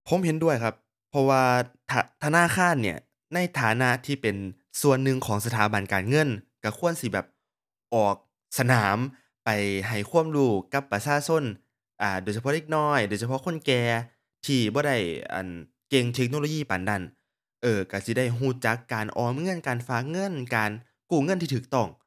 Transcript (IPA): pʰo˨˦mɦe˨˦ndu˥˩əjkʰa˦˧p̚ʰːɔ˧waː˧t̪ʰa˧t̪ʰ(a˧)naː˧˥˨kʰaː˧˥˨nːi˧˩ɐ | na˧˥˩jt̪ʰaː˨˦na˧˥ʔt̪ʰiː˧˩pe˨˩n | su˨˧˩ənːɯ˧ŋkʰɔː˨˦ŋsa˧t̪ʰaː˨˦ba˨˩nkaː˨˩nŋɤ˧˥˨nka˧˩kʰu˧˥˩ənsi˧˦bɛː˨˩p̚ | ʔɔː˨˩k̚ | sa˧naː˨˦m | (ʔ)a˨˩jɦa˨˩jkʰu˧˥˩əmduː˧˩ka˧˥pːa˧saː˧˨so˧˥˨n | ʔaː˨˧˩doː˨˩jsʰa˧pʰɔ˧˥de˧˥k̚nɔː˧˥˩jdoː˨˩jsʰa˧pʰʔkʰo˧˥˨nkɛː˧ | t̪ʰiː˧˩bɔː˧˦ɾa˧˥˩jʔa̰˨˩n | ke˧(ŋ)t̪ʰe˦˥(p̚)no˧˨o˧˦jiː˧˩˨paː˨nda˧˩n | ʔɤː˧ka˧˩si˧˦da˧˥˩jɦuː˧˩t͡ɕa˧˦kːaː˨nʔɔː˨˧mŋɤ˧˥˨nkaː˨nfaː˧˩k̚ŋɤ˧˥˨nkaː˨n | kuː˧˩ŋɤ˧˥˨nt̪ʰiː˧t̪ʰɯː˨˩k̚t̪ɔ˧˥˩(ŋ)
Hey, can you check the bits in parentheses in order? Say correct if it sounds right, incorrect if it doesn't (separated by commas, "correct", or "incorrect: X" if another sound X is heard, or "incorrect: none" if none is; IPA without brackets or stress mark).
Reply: correct, incorrect: p, correct, incorrect: k̚, correct